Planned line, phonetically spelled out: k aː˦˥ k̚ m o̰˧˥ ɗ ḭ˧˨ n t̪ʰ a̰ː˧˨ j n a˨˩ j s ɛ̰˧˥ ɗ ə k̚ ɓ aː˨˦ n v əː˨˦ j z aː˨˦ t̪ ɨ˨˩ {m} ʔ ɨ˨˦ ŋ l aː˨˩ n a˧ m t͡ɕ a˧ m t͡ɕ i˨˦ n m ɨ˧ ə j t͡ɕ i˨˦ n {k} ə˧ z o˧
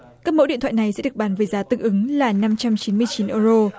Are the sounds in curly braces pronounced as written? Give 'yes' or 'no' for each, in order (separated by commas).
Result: no, no